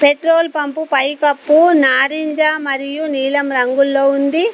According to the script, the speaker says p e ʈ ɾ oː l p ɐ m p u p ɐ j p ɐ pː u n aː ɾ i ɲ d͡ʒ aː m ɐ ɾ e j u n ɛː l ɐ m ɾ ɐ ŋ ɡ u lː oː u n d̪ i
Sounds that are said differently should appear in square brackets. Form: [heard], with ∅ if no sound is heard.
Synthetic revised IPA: p e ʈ ɾ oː l p ɐ m p u p ɐ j [k] ɐ pː u n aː ɾ i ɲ d͡ʒ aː m ɐ ɾ [i] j u n [iː] l ɐ m ɾ ɐ ŋ ɡ u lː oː u n d̪ i